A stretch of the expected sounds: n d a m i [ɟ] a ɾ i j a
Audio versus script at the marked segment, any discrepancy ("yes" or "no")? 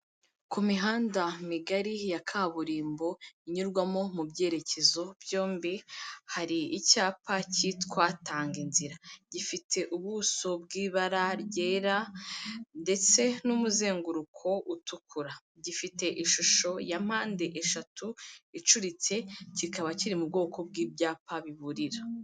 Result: yes